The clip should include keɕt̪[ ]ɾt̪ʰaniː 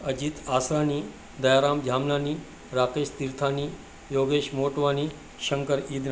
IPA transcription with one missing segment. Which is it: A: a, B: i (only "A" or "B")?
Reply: B